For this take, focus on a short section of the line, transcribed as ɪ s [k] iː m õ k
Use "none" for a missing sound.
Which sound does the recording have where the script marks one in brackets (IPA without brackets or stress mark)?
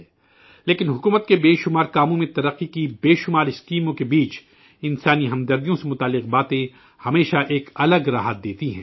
k